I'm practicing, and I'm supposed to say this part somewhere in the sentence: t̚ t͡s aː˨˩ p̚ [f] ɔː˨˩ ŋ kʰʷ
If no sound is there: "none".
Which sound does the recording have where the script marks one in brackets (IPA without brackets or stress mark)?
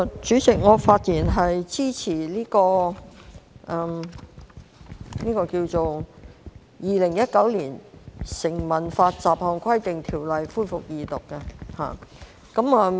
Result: h